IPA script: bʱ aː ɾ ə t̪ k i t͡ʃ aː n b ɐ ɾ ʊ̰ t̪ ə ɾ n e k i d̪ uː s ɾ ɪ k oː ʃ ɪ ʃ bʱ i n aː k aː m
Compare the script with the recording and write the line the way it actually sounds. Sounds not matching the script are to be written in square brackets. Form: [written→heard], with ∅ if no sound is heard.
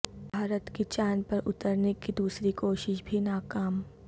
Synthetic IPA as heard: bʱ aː ɾ ə t̪ k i t͡ʃ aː n [b→p] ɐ ɾ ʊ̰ t̪ ə ɾ n e k i d̪ uː s ɾ [ɪ→i] k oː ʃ ɪ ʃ bʱ i n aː k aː m